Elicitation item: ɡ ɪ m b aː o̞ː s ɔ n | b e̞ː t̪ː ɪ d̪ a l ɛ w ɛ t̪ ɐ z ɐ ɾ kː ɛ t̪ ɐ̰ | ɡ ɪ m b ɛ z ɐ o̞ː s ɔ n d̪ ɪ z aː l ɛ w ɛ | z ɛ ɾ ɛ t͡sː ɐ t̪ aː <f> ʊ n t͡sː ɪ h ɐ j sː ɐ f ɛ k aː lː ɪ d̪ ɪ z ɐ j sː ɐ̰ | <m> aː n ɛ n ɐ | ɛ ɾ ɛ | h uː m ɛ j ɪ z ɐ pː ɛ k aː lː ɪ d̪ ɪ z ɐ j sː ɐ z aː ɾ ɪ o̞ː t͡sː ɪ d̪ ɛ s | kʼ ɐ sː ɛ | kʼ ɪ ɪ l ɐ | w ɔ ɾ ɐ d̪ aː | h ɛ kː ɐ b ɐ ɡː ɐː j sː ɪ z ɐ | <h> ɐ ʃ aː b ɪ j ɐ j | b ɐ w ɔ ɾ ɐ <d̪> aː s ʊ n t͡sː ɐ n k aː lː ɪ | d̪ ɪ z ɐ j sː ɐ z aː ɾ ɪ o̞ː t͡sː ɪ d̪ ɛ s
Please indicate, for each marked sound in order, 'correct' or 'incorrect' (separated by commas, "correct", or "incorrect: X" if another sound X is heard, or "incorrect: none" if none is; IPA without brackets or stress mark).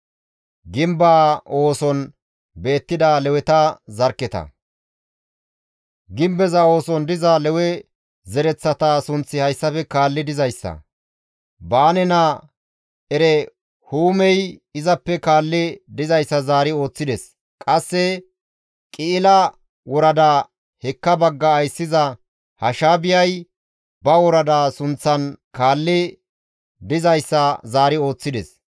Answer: incorrect: s, incorrect: b, correct, correct